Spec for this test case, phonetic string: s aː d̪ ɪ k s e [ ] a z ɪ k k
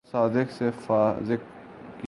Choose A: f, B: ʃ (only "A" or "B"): A